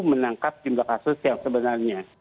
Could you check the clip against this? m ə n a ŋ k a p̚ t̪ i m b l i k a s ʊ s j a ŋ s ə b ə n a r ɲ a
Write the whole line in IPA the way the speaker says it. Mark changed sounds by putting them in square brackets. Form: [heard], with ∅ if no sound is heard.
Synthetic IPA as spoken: m ə n a ŋ k a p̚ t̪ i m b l [a] k a s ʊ s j a ŋ s ə b ə n a r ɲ a